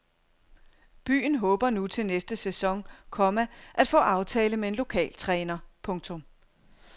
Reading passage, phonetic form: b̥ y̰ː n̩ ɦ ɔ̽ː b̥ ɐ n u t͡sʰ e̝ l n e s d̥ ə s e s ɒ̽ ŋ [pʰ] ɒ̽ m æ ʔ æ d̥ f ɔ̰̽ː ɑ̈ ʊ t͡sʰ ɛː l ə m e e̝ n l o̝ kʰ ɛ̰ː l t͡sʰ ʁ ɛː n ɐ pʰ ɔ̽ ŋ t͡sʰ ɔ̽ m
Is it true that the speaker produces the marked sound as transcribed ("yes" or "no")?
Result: no